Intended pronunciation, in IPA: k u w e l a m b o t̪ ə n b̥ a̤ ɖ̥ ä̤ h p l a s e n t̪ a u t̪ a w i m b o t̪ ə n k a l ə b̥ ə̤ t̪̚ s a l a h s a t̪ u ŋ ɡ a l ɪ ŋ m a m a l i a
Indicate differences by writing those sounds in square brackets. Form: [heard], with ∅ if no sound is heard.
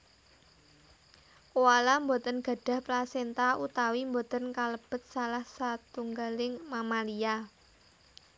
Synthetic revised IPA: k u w [a] l a m b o t̪ ə n [ɡ̥] a̤ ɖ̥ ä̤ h p l a s e n t̪ a u t̪ a w i m b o t̪ ə n k a l ə b̥ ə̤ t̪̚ s a l a h s a t̪ u ŋ ɡ a l ɪ ŋ m a m a l i a